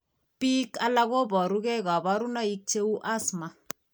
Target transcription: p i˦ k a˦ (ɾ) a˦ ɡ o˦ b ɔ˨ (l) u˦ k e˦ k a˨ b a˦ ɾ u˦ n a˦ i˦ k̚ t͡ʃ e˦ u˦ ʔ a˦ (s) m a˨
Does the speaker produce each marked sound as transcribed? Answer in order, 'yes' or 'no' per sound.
no, no, yes

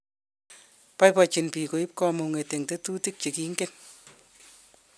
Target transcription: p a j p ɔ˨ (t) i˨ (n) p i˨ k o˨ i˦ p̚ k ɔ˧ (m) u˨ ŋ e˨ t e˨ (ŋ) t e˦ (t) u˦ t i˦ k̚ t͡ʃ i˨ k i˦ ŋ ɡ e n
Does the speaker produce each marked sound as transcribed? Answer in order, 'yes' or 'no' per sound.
no, yes, yes, yes, yes

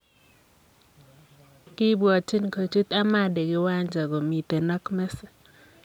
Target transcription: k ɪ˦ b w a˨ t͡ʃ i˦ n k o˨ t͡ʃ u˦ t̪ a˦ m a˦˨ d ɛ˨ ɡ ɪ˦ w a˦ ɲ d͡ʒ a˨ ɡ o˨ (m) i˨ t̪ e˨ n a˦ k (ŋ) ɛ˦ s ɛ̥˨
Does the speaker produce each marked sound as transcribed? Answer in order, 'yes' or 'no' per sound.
yes, no

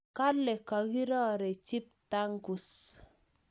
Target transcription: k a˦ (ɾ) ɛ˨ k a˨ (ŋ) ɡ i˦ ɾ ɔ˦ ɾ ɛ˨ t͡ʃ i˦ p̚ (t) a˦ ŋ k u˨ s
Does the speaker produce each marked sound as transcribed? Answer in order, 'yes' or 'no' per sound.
no, no, yes

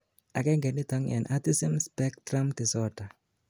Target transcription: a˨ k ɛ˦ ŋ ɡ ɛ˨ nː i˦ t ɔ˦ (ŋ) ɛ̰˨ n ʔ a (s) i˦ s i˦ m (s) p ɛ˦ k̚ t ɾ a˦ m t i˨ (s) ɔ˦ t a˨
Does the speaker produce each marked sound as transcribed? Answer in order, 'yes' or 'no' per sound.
yes, no, yes, yes

